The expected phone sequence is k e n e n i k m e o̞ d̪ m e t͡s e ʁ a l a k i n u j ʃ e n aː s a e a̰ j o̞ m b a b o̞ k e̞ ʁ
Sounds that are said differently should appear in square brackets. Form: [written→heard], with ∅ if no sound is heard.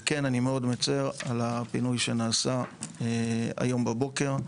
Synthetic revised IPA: k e n [e→a] n i [k→∅] m e o̞ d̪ m e t͡s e ʁ a l a [k→p] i n u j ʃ e n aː s a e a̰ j o̞ m b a b o̞ k e̞ ʁ

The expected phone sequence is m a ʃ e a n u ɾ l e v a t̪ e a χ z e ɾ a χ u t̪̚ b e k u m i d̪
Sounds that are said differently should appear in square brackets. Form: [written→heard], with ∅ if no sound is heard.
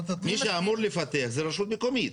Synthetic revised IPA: m [a→i] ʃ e a [n→m] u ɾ l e [v→f] a t̪ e a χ z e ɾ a [χ→ʃ] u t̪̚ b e k [u→o] m i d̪

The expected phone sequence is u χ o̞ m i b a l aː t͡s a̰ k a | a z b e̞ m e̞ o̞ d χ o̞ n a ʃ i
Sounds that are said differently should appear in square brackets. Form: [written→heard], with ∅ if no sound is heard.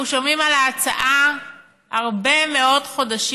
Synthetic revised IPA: u [χ→ʃ] o̞ m i [b→m] a l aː t͡s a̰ [k→ʔ] a | a [z→ʁ] b e̞ m e̞ o̞ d χ o̞ [n→d] a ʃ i

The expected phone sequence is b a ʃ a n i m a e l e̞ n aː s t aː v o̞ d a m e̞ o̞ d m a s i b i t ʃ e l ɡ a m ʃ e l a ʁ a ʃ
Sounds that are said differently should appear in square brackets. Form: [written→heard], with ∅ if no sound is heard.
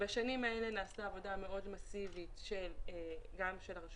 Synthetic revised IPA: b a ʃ a n i m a e l e̞ n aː s t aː v o̞ d a m e̞ o̞ d m a s i [b→v] i t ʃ e l ɡ a m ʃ e l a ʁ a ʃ

